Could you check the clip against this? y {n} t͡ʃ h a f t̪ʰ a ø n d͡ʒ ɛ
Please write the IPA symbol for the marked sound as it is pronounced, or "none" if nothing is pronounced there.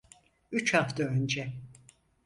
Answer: none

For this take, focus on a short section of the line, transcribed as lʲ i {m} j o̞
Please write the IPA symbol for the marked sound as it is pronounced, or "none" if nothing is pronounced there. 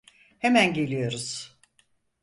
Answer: none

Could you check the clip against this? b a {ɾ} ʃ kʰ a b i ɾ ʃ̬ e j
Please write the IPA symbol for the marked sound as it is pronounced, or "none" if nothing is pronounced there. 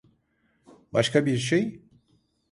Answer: none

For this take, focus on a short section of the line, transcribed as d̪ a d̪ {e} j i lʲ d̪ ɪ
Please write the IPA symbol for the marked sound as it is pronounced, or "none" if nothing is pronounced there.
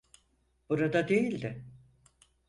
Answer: e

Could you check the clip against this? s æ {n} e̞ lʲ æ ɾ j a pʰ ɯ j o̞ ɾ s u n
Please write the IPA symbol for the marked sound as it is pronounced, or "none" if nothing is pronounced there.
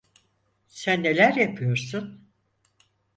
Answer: nː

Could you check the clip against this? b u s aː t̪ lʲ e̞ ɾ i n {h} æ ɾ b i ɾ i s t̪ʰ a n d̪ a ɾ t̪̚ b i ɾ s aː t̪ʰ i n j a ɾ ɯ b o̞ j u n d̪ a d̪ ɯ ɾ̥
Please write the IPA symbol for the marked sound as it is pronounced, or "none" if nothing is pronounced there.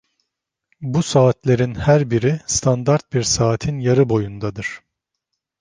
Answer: h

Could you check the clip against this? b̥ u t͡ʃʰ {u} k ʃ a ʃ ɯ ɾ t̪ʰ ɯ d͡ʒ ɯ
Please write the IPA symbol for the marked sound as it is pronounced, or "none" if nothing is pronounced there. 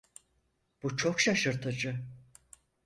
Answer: o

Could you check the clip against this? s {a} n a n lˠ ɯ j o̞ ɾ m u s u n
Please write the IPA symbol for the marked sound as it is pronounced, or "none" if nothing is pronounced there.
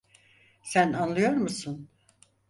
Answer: æ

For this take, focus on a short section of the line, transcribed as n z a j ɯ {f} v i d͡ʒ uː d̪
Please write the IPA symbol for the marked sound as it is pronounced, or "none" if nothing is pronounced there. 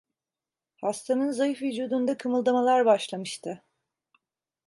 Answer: f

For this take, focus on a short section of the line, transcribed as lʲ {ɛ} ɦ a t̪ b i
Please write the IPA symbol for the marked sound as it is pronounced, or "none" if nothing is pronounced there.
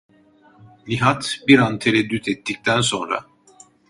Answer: i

